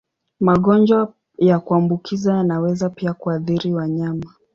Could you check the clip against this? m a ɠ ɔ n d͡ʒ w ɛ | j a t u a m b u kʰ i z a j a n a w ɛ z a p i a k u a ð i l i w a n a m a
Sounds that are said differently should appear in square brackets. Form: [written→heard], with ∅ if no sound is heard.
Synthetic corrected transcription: m a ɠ ɔ n d͡ʒ w [ɛ→a] | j a [t→k] u a m b u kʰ i z a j a n a w ɛ z a p i a k u a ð i [l→ɾ] i w a [n→ɲ] a m a